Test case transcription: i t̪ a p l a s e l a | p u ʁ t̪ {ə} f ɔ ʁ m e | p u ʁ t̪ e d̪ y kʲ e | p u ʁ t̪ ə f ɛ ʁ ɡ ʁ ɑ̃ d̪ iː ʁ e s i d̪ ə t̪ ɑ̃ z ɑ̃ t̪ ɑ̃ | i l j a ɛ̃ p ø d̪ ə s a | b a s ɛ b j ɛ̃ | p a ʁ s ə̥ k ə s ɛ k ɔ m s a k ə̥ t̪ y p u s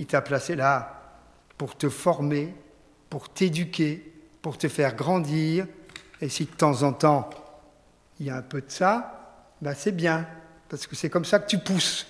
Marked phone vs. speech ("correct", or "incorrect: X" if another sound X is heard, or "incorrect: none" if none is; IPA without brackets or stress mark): correct